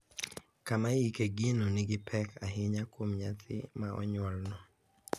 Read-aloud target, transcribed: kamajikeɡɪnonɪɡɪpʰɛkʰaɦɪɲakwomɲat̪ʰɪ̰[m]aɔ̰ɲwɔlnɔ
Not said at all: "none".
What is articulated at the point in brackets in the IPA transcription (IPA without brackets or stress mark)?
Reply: m